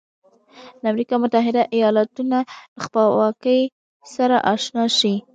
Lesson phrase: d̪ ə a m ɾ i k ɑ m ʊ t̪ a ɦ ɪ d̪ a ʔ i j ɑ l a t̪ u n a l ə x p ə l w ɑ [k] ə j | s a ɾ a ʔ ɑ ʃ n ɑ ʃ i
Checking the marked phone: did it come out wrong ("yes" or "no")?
no